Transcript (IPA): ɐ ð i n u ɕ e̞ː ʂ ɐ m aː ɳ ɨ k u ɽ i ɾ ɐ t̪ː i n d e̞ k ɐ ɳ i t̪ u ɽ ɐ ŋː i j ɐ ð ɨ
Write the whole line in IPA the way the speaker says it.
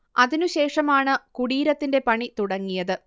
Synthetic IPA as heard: ɐ ð i n u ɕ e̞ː ʂ ɐ m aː ɳ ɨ k u ɽ iː ɾ ɐ t̪ː i n d e̞ p ɐ ɳ i t̪ u ɽ ɐ ŋː i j ɐ ð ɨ